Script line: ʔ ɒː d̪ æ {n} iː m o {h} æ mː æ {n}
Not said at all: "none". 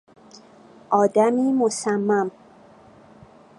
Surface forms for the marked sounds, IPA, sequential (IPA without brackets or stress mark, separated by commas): m, s, m